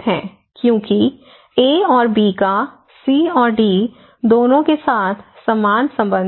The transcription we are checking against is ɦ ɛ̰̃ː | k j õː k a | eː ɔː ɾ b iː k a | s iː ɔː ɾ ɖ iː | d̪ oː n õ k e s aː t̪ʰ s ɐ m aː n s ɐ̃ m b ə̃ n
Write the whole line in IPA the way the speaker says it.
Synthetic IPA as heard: ɦ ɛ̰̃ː | k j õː k i | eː ɔː ɾ b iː k a | s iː ɔː ɾ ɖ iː | d̪ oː n õ k e s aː t̪ʰ s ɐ m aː n s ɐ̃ m b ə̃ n